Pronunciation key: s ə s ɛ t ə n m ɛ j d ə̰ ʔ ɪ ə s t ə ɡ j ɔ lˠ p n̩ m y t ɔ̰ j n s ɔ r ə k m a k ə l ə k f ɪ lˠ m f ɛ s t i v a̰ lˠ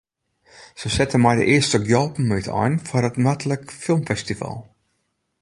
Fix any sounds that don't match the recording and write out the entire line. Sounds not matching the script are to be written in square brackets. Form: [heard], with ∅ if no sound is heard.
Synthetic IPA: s ə s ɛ t ə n m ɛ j d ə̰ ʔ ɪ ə s t ə ɡ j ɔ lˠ p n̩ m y t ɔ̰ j n [f] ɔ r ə [t] m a [t] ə l ə k f ɪ lˠ m f ɛ s t i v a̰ lˠ

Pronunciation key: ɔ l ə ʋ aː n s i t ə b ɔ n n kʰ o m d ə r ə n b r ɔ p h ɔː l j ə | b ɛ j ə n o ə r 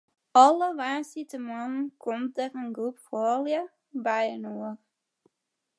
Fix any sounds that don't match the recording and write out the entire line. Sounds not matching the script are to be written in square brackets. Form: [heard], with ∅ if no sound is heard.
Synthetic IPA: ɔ l ə ʋ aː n s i t ə [m] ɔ n n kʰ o m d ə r ə n [ɡ] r [u] p [f] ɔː l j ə | b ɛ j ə n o ə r

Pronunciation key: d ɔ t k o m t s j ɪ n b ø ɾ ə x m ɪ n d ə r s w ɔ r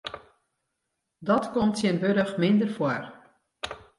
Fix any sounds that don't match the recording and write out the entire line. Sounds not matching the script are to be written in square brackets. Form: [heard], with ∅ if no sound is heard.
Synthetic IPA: d ɔ t k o m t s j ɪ n b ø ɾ ə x m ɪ n d ə r [f] w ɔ r

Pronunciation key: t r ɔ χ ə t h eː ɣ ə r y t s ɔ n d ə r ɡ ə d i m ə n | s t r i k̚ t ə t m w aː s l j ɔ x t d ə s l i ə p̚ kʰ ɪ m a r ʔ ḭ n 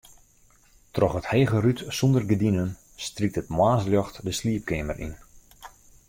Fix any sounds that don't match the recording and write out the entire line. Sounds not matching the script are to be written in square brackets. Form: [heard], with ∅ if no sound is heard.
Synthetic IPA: t r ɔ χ ə t h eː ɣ ə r y t s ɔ n d ə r ɡ ə d i [n] ə n | s t r i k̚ t ə t m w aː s l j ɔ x t d ə s l i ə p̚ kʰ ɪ m [ə] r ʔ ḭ n

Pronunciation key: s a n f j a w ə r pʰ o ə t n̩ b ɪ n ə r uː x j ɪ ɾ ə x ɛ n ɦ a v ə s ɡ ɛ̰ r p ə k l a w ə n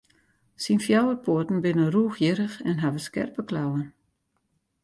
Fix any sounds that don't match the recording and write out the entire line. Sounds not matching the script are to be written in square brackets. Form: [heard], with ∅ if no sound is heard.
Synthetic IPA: s [i] n f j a w ə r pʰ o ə t n̩ b ɪ n ə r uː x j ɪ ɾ ə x ɛ n ɦ a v ə s [k] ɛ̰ r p ə k l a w ə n

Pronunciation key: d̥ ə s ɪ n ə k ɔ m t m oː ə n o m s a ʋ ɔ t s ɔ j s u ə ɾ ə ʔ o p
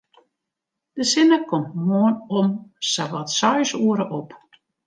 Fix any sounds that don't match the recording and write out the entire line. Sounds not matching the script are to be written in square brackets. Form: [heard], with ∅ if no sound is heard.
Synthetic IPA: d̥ ə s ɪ n ə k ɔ m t m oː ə n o m s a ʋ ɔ t s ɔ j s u ə ɾ ə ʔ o p

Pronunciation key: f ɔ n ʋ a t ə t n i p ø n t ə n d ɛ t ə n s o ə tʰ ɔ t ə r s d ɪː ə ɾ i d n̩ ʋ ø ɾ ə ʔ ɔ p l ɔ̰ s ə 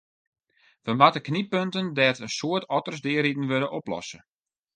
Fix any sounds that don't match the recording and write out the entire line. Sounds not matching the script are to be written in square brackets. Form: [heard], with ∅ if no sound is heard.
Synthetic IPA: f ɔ n ʋ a t ə [k] n i p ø n t ə n d ɛ t ə n s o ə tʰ ɔ t ə r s d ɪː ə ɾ i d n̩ ʋ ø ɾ ə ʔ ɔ p l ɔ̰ s ə

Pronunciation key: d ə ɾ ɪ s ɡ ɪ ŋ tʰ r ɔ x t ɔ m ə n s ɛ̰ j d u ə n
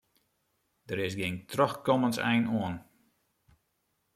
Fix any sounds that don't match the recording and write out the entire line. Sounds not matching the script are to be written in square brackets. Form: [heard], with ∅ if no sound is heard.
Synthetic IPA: d ə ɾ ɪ s ɡ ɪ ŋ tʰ r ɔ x [k] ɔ m ə n s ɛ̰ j [n] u ə n

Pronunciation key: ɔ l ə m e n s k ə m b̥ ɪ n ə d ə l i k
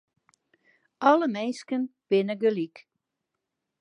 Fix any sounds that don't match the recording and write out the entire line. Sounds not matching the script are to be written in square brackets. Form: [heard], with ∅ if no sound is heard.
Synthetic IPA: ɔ l ə m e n s k ə [n] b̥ ɪ n ə [ɡ] ə l i k

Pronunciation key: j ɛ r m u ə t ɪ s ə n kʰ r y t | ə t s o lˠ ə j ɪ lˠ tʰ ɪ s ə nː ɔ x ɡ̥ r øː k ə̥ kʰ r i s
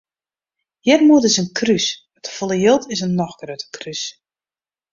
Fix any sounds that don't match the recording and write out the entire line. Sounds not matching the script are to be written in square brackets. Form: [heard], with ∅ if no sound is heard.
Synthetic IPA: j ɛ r m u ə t ɪ s ə n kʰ r y [s] | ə t [f] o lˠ ə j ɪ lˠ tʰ ɪ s ə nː ɔ x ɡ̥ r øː [t] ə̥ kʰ r [y] s

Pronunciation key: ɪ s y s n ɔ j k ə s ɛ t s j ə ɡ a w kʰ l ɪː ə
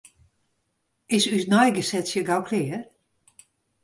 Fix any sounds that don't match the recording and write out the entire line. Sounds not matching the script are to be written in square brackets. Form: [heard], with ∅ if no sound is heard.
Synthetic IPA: ɪ s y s n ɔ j [ɡ] ə s ɛ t s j ə ɡ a w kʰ l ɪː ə

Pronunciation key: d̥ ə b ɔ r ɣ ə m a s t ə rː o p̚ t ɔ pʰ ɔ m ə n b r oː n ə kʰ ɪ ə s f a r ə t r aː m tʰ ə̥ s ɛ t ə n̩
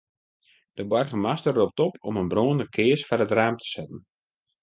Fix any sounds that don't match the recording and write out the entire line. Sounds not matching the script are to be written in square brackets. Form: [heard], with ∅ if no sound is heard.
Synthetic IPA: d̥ ə b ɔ r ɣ ə m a s t ə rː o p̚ t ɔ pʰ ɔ m ə n b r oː n ə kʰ ɪ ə s f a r ə t r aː m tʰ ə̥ s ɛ t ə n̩

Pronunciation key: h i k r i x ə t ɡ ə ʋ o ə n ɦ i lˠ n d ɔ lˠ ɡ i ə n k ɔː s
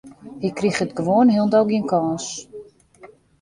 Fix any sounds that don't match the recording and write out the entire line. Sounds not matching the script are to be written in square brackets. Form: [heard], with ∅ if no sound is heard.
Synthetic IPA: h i k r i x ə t ɡ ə ʋ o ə n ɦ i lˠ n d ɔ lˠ ɡ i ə n k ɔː s

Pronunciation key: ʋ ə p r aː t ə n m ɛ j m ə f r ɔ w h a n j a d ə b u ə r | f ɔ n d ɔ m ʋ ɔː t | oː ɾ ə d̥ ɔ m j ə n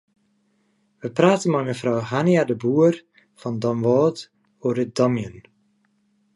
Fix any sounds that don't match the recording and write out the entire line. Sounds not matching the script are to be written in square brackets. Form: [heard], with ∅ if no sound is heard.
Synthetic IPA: ʋ ə p r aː t ə n m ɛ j m ə f r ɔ w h a n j a d ə b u ə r | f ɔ n d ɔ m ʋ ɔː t | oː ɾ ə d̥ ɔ m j ə n

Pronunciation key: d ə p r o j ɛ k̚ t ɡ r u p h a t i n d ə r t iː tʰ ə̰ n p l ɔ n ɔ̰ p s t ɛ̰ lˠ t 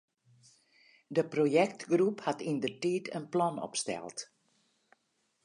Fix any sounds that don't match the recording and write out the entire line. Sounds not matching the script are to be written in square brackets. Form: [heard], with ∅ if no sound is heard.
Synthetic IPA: d ə p r o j ɛ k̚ t ɡ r u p h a t i n d ə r t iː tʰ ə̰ n p l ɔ n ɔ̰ p s t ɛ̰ lˠ t

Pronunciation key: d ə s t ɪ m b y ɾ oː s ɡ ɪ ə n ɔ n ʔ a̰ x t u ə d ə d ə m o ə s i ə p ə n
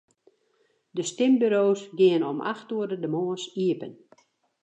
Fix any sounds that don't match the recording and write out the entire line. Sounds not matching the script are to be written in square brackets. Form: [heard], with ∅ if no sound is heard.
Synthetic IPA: d ə s t ɪ m b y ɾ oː s ɡ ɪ ə n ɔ [m] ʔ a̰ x t u ə d ə d ə m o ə s i ə p ə n

